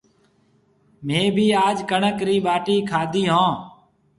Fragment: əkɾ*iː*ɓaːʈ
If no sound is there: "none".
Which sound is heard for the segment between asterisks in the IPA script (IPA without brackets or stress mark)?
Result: iː